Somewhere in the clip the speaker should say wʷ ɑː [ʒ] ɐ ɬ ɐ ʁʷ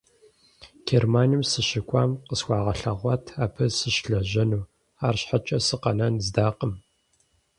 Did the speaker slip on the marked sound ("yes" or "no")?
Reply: yes